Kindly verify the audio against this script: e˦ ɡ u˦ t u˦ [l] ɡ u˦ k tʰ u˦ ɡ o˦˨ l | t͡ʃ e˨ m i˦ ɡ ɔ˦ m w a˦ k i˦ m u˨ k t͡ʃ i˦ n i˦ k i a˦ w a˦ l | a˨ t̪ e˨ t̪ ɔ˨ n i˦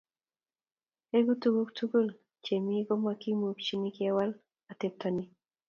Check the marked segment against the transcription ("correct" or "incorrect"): incorrect